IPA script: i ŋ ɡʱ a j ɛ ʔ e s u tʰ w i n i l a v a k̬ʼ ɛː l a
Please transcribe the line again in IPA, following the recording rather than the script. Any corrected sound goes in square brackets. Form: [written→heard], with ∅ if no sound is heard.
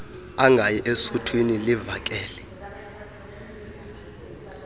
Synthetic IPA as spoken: [i→a] ŋ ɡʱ a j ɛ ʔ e s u tʰ w i n i l [a→i] v a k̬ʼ ɛː l [a→ɛ]